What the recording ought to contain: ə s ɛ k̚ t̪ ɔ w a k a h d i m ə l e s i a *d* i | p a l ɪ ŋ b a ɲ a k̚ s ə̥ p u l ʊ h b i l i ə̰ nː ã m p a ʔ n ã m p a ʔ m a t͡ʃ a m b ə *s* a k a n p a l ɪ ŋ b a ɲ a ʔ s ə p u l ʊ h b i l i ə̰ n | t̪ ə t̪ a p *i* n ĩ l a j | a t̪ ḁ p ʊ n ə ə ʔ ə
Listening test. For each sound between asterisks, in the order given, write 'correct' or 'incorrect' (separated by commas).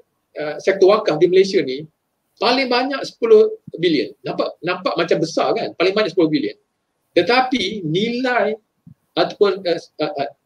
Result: incorrect, correct, correct